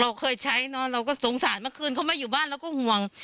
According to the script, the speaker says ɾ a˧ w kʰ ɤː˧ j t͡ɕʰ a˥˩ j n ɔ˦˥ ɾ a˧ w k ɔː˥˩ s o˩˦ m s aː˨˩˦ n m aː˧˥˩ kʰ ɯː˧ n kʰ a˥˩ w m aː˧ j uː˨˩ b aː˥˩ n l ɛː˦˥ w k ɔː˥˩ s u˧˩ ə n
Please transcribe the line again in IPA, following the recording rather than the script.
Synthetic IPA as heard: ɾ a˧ w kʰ ɤː˧ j t͡ɕʰ a˦˥ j n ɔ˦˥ ɾ a˧ w k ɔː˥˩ s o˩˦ ŋ s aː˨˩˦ n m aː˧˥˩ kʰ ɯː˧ n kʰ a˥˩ w m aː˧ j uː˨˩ b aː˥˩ n l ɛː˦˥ w k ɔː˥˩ h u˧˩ ə ŋ